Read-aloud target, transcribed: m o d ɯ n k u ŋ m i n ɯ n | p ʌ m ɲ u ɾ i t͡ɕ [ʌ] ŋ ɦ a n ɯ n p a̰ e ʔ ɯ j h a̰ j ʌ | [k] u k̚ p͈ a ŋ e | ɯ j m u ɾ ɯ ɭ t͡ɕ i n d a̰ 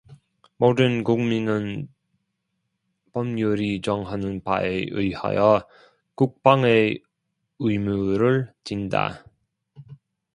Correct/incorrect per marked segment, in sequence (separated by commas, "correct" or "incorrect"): correct, correct